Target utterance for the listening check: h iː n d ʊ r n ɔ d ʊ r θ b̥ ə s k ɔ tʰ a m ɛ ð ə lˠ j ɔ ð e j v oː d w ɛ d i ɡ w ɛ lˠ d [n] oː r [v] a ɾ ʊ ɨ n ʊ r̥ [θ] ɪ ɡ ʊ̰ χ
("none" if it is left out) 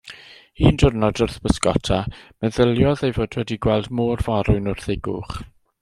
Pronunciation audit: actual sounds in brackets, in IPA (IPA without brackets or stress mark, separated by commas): m, v, θ